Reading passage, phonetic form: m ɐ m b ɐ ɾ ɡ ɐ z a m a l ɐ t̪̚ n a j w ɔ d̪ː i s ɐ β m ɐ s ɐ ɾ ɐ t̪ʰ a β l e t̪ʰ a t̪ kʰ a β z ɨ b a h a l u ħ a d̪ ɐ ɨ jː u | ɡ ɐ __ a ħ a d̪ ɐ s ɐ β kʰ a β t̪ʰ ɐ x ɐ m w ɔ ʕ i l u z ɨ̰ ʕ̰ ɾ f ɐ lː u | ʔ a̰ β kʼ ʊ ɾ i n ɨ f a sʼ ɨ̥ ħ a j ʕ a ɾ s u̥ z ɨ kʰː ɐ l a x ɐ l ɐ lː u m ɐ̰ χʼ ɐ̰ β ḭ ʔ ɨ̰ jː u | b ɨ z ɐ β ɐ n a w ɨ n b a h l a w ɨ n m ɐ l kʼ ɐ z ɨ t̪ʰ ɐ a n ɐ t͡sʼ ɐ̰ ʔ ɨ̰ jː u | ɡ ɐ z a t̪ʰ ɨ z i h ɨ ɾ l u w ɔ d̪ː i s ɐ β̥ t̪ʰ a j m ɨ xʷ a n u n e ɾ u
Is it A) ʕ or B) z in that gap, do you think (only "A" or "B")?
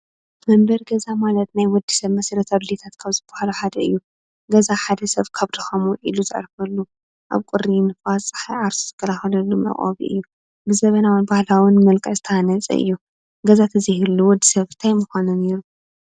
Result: B